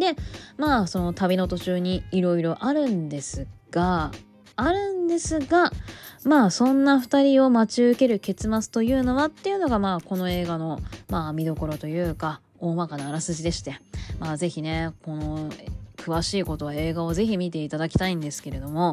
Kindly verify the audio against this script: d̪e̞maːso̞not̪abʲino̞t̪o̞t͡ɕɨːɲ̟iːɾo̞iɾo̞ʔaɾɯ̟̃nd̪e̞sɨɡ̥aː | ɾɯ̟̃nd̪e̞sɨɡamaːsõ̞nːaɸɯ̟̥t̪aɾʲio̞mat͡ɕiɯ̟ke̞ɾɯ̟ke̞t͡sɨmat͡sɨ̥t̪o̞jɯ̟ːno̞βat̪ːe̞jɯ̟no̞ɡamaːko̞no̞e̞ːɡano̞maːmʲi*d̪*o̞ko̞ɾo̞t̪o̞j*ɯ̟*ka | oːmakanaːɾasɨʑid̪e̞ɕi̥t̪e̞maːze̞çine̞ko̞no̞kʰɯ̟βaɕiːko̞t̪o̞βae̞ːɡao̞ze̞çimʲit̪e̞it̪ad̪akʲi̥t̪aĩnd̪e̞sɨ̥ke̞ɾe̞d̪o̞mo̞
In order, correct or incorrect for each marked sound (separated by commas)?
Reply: correct, incorrect